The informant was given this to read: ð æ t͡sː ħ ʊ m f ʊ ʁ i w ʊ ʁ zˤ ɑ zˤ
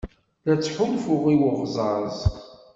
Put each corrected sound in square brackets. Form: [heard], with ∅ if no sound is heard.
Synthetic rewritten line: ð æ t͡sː ħ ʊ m f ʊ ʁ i w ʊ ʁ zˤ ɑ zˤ